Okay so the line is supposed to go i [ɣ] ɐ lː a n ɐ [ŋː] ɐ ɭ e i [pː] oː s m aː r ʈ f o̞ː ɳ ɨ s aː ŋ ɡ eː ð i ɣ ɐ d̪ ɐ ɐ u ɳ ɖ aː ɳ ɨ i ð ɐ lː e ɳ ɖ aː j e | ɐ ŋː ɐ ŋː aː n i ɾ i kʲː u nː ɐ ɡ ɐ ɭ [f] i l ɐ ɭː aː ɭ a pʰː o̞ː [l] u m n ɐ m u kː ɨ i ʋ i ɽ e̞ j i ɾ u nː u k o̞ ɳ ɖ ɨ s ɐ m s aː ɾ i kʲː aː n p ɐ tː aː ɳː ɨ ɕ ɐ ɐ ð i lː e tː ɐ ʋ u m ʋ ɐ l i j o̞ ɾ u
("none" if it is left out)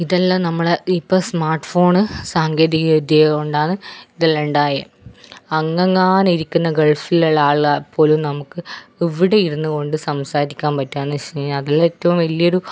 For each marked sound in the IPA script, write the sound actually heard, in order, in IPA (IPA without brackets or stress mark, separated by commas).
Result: ð, mː, pː, f, l